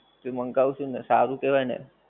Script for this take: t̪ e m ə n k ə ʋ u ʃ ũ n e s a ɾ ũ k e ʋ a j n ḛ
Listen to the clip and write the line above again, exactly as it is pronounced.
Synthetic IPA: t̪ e m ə ŋ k a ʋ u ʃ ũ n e s a ɾ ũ k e ʋ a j n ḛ

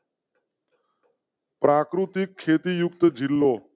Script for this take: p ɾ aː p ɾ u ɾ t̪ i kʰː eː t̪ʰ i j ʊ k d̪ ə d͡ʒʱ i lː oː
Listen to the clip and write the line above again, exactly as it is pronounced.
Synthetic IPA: p ɾ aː k ɾ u t̪ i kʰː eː t̪ i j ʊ k t̪ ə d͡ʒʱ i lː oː

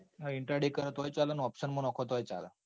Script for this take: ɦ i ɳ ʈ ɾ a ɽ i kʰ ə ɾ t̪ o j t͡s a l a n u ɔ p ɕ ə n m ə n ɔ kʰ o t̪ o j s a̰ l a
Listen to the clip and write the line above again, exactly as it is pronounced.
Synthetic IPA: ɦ i ɳ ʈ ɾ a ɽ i k ə ɾ t̪ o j t͡s a l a n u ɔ p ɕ ə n m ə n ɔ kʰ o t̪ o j t͡s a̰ l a

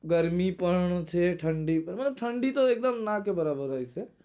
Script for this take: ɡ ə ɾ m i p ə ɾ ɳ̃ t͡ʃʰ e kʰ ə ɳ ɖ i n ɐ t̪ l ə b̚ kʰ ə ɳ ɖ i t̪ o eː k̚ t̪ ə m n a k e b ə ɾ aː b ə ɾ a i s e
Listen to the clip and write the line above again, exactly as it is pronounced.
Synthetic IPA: ɡ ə ɾ m i p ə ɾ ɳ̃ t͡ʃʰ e ʈʰ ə ɳ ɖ i m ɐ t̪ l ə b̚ ʈʰ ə ɳ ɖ i t̪ o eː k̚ d̪ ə m n a k e b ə ɾ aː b ə ɾ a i s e

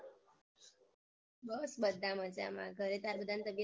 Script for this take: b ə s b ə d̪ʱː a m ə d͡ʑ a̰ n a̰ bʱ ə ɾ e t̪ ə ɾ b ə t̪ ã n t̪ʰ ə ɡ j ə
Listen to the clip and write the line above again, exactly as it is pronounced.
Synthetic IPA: b ə s b ə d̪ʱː a m ə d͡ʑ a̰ m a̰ ɡʱ ə ɾ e t̪ a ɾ b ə d̪ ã n t̪ ə b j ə

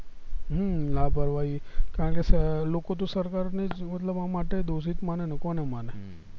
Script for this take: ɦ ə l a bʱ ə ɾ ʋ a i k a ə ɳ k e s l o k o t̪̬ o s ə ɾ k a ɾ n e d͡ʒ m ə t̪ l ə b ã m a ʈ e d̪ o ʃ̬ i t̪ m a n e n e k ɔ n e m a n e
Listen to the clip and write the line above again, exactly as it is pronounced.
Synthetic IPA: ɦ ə l a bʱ ə ɾ ʋ a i k a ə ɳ k e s l o k o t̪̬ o s ə ɾ k a ɾ n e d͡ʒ m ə t̪ l ə b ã m a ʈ e d̪ o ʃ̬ i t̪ m a n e n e k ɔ n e m a n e

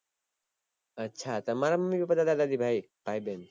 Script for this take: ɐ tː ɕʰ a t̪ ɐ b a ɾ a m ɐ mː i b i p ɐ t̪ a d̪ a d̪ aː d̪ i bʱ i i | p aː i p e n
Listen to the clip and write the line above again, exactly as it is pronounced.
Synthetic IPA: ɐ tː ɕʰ a t̪ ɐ m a ɾ a m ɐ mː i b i p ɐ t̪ a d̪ a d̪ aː d̪ i bʱ a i | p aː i b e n

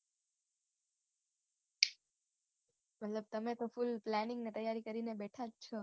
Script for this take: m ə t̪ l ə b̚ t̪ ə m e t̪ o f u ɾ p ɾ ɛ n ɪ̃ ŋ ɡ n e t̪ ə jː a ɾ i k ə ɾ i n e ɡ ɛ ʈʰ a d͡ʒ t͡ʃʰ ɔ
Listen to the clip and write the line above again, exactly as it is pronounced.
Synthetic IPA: m ə t̪ l ə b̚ t̪ ə m e t̪ o f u l p l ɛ n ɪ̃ ŋ ɡ n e t̪ ə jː a ɾ i k ə ɾ i n e b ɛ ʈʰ a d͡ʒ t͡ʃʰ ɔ

